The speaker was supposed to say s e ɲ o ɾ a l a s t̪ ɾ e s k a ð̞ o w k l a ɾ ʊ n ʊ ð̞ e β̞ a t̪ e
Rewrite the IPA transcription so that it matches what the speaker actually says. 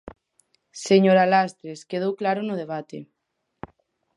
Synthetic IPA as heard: s e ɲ o ɾ a l a s t̪ ɾ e s k e ð̞ o w k l a ɾ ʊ n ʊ ð̞ e β̞ a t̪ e